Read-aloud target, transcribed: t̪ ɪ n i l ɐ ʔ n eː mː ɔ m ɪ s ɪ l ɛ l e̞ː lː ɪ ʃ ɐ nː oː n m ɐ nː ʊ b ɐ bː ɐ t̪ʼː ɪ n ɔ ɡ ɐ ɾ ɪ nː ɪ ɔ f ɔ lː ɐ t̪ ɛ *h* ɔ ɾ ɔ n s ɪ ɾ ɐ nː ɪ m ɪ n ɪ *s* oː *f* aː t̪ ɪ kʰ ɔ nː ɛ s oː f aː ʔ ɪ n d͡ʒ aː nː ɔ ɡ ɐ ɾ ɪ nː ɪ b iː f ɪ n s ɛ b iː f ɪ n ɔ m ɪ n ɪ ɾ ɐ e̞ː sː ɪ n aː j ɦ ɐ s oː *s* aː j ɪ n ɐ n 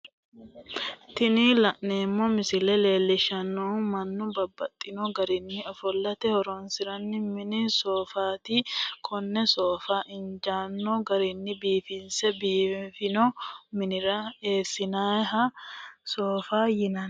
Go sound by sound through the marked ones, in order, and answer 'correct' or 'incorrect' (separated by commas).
correct, correct, correct, incorrect